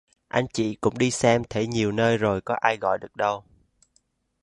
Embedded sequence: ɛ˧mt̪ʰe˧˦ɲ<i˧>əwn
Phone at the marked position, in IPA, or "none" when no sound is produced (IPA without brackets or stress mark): i˨˩